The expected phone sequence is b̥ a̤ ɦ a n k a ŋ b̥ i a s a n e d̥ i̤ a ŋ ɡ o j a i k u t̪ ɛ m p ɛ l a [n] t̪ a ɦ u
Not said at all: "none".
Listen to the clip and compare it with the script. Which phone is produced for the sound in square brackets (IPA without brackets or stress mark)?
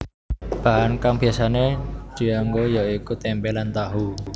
n